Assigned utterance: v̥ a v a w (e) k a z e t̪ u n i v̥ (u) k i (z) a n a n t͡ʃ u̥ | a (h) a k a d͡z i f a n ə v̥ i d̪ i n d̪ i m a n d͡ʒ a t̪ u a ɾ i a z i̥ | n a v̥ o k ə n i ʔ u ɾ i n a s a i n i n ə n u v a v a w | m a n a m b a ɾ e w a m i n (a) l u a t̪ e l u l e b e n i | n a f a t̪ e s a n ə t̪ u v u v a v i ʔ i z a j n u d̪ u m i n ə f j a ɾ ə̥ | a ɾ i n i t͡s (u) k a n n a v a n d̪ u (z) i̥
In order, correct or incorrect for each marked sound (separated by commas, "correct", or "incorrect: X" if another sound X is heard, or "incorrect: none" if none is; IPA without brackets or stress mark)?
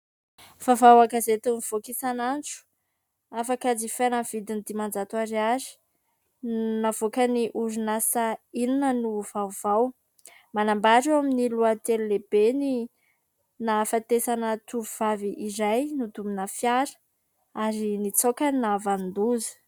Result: incorrect: a, incorrect: o, incorrect: s, incorrect: f, incorrect: i, incorrect: o, correct